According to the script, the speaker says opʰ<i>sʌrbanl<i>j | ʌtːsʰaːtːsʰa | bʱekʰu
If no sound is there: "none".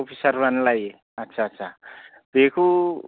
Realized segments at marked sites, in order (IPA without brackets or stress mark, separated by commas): i, a